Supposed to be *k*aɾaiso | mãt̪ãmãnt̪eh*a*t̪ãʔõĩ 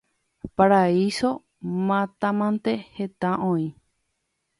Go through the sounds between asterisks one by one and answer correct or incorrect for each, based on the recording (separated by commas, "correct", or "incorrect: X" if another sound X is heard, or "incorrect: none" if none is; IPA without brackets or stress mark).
incorrect: p, incorrect: e